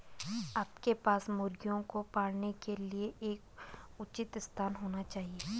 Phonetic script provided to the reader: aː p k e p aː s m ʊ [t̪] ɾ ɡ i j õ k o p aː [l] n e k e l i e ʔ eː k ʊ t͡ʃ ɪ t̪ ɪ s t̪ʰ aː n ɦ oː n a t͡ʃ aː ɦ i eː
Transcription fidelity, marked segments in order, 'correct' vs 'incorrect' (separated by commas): incorrect, incorrect